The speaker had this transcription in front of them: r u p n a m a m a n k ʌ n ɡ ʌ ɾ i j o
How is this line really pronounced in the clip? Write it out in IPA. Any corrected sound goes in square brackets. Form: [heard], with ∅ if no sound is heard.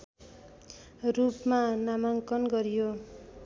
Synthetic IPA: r u p [m] a [n] a m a [ŋ] k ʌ n ɡ ʌ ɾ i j o